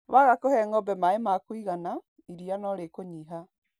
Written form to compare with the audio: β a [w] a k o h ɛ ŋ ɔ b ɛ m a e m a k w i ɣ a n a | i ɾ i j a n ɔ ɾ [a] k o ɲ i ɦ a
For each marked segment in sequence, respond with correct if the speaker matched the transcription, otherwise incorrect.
incorrect, incorrect

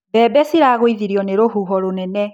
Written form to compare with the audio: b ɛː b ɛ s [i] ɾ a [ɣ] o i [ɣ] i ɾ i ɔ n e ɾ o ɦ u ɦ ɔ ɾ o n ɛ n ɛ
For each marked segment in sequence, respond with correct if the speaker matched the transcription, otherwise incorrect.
correct, correct, incorrect

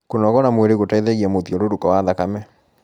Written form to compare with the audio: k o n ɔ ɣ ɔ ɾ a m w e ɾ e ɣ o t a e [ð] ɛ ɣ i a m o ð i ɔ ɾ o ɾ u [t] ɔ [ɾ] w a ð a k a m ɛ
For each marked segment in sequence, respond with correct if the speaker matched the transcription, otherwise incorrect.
correct, incorrect, incorrect

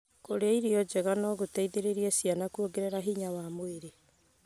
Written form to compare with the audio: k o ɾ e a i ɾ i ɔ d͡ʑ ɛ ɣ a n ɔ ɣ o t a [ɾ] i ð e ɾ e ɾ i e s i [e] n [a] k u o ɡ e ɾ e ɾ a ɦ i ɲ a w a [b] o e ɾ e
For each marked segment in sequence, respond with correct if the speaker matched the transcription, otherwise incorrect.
incorrect, incorrect, correct, incorrect

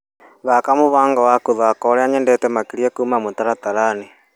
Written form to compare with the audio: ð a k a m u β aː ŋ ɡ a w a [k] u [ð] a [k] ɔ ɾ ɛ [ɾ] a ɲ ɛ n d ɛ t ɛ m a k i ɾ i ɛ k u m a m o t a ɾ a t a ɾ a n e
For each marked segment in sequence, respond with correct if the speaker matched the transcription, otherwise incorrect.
correct, correct, correct, incorrect

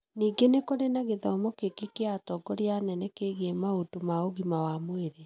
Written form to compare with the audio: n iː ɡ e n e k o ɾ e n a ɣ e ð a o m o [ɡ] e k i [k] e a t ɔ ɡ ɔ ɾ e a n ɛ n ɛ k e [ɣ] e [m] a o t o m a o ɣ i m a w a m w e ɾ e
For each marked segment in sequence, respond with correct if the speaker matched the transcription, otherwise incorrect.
incorrect, correct, correct, correct

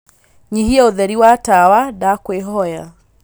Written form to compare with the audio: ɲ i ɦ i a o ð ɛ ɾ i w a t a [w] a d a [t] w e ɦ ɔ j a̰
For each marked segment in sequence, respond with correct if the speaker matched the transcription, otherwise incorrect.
correct, incorrect

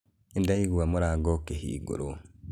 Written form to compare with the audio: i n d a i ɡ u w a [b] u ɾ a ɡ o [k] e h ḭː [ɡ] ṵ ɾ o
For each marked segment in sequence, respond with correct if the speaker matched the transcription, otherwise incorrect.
incorrect, correct, correct

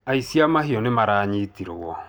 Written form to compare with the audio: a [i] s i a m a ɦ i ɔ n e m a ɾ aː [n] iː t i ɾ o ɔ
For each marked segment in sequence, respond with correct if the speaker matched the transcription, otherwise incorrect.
correct, incorrect

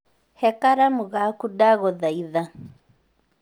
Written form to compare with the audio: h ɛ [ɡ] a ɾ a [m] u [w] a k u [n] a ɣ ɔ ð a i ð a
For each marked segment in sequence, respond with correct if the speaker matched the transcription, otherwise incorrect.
incorrect, correct, incorrect, incorrect

